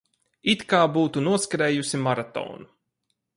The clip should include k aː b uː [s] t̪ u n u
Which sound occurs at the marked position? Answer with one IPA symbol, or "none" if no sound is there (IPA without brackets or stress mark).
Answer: none